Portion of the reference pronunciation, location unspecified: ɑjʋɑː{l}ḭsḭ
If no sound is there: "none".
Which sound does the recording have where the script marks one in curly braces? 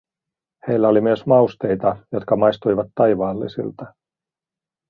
lː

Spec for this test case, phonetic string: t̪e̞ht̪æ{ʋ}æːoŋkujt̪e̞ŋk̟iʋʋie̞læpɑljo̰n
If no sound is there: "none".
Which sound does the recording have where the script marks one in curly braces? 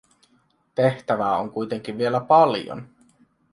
ʋ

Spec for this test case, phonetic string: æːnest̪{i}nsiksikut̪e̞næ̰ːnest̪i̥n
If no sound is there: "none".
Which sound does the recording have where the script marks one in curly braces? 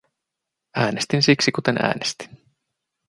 i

